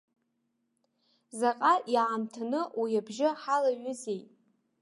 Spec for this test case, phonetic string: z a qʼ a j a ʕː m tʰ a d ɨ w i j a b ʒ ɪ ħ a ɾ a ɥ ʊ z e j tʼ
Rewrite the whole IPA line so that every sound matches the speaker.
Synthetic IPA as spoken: z a qʼ a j a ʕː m tʰ a n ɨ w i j a b ʒ ɪ ħ a l a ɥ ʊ z e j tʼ